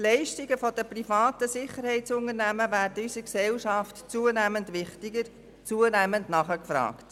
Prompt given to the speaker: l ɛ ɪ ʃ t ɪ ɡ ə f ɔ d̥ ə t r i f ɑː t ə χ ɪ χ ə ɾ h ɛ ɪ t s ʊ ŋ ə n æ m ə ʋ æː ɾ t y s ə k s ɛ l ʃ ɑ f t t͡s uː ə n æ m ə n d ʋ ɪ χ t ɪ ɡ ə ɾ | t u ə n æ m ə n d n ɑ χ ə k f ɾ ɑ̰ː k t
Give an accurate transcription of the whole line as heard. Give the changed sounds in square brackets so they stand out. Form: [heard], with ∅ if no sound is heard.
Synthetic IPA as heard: l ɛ ɪ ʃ t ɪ ɡ ə f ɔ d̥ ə [p] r i f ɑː t ə [s] ɪ χ ə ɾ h ɛ ɪ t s ʊ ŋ ə n æ m ə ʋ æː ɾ t y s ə k s ɛ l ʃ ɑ f t t͡s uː ə n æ m ə n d ʋ ɪ χ t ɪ ɡ ə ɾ | [t͡s] u ə n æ m ə n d n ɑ χ ə k f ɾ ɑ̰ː k t